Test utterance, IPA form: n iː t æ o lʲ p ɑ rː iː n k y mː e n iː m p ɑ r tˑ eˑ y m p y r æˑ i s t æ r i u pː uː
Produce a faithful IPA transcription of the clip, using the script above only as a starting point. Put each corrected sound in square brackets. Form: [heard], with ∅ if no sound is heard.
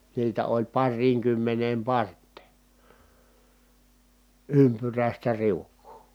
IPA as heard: n iː t æ o lʲ p ɑ rː iː [ŋ] k y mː e n [eː] m p ɑ r tˑ eˑ y m p y r æˑ i s t æ r i u [kː] uː